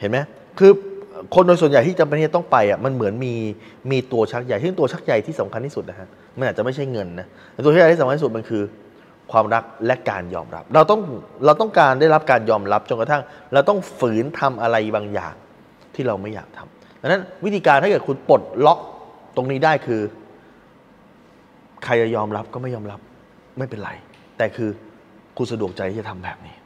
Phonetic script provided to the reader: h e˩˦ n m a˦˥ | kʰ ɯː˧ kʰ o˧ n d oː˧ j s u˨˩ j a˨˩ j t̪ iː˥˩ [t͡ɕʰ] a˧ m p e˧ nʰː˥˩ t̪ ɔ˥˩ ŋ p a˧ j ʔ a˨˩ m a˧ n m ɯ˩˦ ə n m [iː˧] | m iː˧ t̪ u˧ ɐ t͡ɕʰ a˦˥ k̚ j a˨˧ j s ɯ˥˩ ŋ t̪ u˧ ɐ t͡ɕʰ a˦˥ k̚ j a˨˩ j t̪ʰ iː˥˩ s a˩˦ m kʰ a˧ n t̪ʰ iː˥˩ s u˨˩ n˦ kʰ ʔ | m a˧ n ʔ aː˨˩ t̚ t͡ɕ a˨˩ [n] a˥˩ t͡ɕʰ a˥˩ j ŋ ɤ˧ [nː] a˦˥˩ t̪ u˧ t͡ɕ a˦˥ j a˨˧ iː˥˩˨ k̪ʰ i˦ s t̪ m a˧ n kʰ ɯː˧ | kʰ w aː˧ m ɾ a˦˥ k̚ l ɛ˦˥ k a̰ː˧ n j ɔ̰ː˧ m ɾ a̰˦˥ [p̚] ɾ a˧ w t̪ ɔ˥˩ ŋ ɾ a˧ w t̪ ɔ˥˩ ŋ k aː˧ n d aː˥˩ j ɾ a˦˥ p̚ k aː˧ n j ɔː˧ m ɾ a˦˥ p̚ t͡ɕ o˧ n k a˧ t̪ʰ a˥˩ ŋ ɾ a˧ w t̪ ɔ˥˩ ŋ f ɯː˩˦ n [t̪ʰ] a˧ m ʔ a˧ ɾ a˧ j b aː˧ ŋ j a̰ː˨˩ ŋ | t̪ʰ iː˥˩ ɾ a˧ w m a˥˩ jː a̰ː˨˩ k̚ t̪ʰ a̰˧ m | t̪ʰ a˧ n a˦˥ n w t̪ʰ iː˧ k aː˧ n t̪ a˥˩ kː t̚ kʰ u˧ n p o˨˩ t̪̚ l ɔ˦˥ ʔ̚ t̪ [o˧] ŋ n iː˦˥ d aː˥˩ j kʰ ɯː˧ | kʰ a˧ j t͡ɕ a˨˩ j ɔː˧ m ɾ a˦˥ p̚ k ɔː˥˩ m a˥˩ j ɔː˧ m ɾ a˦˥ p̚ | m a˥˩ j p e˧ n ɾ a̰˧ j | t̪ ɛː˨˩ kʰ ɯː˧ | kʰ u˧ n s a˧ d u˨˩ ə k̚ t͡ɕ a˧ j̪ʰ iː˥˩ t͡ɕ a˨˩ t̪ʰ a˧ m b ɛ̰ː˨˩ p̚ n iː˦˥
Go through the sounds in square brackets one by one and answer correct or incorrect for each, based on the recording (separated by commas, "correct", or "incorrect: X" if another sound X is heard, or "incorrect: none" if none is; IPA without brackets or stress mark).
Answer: incorrect: t͡ɕ, correct, incorrect: m, correct, correct, correct, correct